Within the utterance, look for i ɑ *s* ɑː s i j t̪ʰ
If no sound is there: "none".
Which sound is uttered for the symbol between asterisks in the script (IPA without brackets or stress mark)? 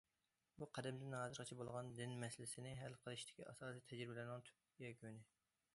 s